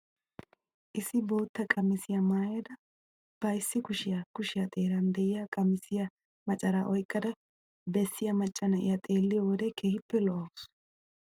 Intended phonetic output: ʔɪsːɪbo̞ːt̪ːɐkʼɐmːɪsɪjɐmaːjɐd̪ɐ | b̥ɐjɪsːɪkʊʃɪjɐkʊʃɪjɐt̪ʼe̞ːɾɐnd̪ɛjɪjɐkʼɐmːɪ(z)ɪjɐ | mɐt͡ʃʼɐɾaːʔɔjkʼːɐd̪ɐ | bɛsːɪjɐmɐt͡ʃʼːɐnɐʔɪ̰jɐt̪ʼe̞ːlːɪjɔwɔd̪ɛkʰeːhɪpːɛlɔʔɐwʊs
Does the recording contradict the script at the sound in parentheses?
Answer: yes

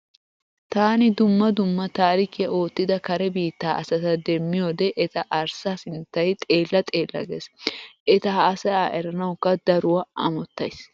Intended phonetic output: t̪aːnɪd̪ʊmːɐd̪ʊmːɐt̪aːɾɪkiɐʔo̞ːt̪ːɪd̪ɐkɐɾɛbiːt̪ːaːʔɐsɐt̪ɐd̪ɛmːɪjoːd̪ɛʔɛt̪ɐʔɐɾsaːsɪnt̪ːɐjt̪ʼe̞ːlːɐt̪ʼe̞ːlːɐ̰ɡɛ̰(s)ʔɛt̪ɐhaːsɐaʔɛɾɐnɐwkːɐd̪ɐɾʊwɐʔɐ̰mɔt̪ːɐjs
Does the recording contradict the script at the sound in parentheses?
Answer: no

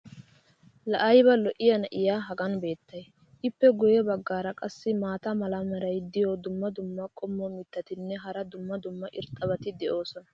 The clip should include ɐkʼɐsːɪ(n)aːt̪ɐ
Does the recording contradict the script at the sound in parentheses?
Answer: yes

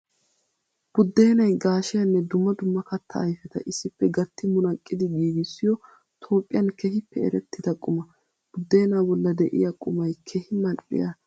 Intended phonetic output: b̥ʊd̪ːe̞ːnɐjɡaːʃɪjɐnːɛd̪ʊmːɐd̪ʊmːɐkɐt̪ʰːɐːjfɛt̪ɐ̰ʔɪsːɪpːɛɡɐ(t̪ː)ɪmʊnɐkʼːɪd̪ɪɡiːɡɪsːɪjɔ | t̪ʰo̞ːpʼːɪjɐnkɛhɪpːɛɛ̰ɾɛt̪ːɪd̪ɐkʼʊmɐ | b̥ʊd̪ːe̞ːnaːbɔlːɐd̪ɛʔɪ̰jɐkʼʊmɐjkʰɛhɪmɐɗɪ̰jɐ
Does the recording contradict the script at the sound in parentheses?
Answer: no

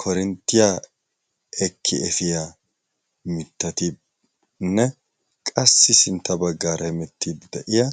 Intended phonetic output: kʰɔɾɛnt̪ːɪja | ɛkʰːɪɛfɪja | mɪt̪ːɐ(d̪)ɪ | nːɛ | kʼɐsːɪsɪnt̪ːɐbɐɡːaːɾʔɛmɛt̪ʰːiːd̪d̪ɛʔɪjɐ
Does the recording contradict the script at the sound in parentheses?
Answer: yes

